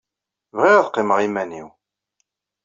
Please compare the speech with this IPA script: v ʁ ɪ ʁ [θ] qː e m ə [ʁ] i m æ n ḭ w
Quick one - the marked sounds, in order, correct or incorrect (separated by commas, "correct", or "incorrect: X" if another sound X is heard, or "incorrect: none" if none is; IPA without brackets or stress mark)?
incorrect: ð, correct